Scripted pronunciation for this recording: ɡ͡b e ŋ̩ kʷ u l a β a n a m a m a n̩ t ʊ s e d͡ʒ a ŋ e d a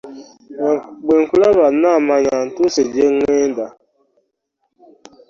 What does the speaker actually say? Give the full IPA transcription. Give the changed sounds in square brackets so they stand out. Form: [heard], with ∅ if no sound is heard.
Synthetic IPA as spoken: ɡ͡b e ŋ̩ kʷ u l a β a n a m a [ɲ] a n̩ t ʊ s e d͡ʒ [e] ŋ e d a